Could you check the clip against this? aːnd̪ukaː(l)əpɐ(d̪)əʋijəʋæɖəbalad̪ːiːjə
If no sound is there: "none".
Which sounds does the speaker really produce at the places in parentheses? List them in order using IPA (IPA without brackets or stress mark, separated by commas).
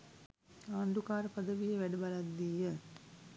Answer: ɾ, d̪